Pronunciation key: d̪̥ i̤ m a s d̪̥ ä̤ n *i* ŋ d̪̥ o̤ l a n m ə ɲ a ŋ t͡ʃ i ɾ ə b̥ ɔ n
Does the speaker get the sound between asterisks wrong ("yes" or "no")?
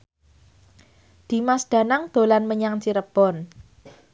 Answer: yes